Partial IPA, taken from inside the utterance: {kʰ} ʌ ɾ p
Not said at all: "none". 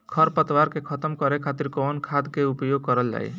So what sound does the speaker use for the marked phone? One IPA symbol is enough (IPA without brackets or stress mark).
kʰ